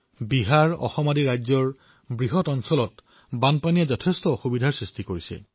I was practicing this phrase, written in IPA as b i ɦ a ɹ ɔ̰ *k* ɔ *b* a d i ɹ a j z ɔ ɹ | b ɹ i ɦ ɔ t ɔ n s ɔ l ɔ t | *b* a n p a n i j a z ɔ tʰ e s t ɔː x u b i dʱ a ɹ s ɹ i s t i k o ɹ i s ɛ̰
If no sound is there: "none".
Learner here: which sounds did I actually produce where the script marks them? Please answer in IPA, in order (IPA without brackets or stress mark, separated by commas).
x, m, b